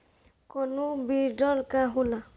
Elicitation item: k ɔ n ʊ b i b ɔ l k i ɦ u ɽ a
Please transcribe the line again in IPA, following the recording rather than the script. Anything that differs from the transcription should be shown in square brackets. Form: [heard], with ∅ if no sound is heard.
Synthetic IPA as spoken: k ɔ n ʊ b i [d] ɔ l k [a] ɦ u [l] a